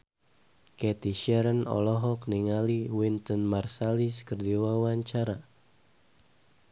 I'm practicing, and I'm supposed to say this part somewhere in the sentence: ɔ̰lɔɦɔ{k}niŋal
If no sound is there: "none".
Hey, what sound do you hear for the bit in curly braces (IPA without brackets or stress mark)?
k